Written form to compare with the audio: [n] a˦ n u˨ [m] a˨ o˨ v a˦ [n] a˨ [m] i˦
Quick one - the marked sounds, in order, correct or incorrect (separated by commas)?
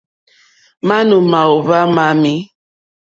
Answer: incorrect, correct, incorrect, correct